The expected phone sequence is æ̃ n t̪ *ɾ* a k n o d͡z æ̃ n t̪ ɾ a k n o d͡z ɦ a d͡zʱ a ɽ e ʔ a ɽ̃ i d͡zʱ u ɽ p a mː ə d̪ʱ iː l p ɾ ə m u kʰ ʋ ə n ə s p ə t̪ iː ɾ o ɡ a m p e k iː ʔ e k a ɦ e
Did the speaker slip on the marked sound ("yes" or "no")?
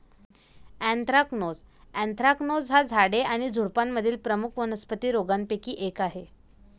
no